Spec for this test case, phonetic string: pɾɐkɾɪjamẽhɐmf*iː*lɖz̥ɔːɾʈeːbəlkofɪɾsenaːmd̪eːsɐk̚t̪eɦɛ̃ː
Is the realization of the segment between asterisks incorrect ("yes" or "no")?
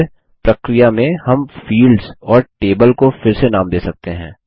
no